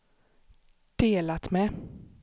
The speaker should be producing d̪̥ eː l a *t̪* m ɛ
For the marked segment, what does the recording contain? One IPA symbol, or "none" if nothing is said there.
t̪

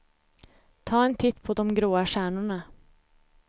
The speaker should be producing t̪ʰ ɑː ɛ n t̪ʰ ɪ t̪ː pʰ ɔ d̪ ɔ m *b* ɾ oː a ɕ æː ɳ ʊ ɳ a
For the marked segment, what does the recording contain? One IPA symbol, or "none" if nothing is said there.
ɡ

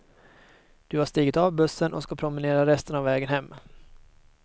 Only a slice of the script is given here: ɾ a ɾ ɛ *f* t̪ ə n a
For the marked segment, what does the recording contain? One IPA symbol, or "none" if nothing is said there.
s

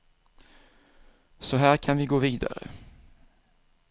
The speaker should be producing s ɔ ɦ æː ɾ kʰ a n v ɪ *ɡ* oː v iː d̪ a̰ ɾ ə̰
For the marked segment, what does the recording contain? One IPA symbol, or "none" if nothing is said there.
ɡ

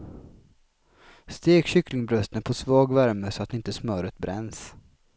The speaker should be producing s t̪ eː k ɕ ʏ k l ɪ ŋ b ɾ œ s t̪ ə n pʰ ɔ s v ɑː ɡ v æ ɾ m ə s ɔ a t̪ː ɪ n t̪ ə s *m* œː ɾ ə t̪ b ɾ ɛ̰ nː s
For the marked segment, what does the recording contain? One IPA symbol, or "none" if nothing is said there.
m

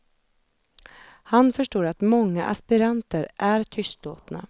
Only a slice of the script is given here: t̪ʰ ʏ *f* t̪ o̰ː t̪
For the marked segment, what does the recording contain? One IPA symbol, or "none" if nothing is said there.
s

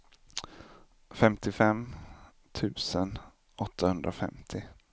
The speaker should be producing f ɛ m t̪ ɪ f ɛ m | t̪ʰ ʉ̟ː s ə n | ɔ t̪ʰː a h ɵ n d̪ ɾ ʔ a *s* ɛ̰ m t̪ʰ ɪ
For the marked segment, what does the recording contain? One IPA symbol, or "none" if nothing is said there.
f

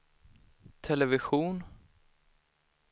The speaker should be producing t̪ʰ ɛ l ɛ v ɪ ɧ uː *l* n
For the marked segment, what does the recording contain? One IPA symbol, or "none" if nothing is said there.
none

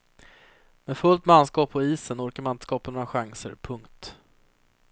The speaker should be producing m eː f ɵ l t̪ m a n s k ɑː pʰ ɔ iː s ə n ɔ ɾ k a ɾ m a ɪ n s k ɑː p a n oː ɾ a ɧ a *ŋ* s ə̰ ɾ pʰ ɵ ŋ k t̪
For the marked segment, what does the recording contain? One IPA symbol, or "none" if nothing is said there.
ŋ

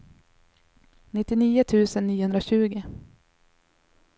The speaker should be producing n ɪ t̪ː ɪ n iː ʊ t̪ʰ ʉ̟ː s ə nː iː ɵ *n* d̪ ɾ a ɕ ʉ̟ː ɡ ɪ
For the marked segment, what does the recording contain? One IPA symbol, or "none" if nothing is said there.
n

